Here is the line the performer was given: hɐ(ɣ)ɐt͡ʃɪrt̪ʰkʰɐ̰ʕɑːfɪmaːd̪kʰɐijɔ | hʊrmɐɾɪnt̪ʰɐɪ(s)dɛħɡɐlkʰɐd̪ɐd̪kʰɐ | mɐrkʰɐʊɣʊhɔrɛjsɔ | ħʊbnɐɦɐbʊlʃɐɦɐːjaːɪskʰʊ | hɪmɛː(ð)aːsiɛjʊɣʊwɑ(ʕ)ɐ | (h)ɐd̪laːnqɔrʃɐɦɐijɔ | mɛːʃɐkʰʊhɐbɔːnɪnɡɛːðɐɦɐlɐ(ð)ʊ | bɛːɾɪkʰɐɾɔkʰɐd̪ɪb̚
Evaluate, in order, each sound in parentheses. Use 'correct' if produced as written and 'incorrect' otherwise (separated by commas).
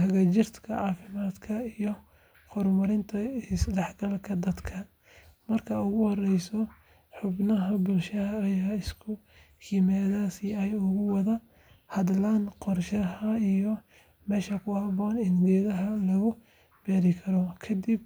correct, correct, correct, incorrect, correct, incorrect